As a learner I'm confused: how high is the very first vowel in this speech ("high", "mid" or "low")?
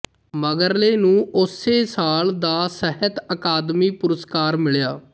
mid